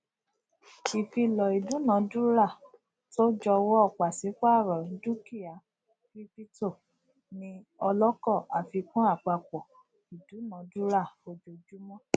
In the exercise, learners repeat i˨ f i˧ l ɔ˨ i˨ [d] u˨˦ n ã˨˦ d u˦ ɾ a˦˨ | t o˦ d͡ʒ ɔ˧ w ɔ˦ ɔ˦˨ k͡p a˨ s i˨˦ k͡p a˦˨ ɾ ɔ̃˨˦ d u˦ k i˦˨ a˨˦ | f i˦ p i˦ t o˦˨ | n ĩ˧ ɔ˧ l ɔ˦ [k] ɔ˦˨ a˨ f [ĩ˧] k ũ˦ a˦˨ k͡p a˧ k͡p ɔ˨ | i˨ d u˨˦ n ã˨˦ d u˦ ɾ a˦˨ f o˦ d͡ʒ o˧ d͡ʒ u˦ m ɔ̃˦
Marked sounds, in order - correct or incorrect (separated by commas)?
correct, correct, incorrect